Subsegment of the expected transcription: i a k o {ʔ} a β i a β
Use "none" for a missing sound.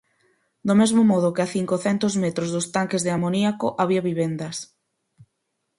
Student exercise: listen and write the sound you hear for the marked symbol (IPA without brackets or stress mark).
ʔ